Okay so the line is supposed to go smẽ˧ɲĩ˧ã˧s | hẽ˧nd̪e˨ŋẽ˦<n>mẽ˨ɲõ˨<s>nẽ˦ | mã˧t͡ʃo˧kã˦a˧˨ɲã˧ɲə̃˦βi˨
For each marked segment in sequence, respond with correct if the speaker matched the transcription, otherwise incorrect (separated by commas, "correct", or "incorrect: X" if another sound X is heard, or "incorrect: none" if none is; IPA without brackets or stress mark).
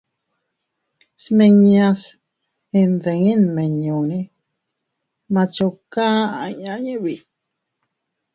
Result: correct, incorrect: none